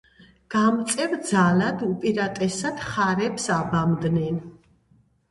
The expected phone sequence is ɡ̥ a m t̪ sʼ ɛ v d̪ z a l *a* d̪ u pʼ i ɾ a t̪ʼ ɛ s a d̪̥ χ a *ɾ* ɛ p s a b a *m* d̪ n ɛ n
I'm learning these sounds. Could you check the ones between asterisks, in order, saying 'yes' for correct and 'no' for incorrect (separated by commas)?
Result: yes, yes, yes